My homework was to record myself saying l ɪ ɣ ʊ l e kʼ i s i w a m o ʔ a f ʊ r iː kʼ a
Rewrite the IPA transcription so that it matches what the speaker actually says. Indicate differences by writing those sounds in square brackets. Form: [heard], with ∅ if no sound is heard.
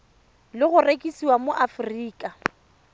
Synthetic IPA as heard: l ɪ ɣ ʊ [r] e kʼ i s i w a m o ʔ a f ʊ r iː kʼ a